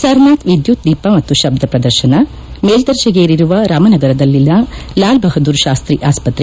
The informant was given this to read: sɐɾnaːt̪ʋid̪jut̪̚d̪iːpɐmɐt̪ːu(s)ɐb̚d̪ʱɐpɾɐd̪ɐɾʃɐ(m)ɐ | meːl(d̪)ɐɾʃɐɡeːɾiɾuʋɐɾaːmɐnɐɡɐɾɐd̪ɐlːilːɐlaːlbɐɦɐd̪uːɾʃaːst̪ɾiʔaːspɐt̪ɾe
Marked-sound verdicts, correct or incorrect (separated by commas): incorrect, incorrect, correct